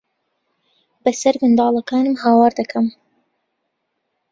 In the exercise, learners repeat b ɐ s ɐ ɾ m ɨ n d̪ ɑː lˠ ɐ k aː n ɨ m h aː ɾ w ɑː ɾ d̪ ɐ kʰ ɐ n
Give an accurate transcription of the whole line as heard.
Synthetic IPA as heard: b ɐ s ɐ ɾ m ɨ n d̪ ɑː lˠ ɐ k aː n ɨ m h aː w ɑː ɾ d̪ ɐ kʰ ɐ m